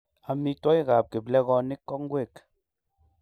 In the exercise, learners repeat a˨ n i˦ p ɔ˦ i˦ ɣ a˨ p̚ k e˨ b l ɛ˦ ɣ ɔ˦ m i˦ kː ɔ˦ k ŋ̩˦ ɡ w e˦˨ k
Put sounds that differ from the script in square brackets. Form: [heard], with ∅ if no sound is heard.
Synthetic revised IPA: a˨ [m] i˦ [t] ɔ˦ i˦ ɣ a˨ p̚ k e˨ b l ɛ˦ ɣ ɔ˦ [n] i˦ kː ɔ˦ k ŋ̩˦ ɡ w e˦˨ k